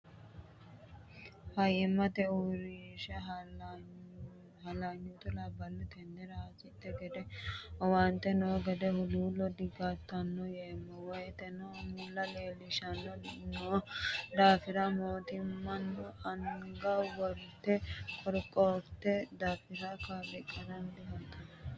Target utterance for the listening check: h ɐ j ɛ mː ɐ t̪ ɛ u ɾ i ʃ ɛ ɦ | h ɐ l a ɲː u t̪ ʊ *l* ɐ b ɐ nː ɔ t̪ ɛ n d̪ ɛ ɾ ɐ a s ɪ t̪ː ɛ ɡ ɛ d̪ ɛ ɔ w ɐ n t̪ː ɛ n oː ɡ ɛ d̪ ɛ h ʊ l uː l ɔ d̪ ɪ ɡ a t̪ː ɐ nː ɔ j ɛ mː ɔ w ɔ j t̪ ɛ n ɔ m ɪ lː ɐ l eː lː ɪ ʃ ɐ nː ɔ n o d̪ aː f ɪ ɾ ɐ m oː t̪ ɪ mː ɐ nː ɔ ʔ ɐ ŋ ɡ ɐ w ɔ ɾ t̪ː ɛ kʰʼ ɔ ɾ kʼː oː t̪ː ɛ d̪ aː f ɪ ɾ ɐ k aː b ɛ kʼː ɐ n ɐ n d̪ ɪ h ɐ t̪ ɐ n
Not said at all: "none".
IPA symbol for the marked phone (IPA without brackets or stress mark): l